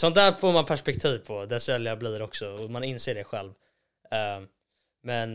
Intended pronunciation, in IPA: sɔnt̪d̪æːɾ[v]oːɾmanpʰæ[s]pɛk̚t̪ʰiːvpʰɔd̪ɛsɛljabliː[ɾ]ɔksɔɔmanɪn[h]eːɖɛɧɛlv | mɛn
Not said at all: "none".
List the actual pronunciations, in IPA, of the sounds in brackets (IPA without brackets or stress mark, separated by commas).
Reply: f, ʂ, ɾ, s